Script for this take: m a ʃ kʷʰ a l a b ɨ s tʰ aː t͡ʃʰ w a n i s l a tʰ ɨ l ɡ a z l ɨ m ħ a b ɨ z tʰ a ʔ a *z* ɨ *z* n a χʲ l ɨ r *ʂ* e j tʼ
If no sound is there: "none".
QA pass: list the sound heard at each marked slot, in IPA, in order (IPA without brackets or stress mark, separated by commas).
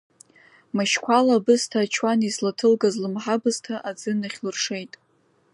d͡z, none, ʂ